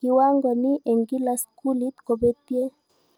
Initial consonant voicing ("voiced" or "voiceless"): voiced